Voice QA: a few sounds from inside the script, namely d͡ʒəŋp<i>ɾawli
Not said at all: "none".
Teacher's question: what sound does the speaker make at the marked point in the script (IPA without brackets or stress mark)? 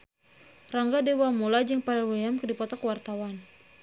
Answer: a